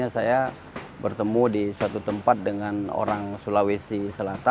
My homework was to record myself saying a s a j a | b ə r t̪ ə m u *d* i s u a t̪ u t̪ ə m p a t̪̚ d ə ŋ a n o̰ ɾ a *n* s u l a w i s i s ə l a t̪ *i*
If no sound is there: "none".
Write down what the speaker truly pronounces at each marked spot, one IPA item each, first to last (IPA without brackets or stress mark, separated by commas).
d, ŋ, a